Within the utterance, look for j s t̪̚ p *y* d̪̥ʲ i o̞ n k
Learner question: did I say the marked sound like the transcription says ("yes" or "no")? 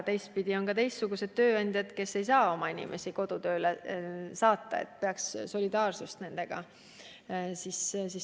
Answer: no